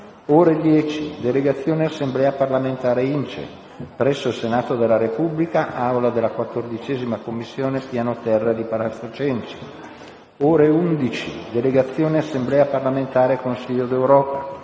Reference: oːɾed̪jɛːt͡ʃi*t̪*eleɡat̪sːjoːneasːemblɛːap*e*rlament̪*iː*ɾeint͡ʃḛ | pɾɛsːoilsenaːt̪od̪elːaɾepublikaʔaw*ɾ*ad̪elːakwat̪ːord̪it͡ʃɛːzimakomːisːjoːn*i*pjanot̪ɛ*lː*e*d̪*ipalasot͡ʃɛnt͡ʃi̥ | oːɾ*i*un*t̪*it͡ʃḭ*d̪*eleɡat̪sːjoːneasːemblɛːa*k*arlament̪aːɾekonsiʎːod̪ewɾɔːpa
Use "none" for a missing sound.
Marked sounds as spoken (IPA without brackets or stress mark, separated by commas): d̪, a, aː, l, e, rː, d̪, e, d̪, d̪, p